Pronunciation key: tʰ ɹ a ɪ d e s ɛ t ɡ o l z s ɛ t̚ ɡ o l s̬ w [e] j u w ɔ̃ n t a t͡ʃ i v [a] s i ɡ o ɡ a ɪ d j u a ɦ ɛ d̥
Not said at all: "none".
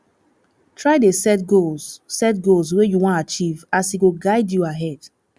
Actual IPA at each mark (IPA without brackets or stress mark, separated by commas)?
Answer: e, a